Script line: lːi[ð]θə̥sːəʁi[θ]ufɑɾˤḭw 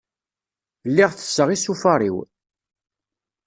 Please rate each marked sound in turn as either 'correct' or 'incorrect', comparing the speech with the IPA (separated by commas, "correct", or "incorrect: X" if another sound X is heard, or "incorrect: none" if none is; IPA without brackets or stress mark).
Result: incorrect: ʁ, incorrect: s